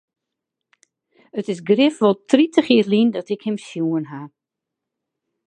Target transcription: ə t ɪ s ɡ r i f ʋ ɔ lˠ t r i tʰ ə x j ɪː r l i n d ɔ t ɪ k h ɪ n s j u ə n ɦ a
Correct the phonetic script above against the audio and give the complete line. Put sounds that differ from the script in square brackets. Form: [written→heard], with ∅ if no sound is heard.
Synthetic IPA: ə t ɪ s ɡ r [i→ɪ] f ʋ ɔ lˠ t r i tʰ ə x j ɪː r l i n d ɔ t ɪ k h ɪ [n→m] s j u ə n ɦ a